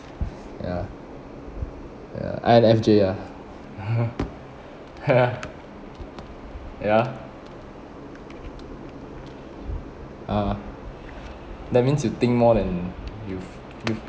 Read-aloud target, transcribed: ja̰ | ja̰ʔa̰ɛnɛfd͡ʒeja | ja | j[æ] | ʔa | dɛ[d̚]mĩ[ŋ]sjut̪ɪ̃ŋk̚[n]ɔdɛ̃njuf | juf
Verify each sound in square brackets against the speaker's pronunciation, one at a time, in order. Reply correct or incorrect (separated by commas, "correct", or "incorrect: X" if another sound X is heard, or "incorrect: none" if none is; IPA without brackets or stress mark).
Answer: incorrect: a, incorrect: t̚, incorrect: n, incorrect: m